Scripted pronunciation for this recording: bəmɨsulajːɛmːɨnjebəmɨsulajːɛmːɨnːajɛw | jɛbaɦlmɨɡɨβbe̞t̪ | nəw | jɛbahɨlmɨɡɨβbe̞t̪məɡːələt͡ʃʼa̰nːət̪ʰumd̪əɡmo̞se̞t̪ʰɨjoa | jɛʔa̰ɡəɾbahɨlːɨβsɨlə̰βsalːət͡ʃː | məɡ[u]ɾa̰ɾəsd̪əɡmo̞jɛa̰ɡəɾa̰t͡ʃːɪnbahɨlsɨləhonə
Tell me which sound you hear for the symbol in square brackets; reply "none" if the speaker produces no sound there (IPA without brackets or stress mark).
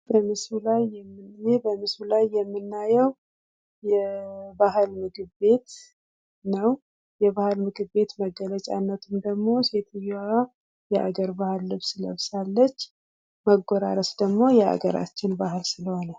o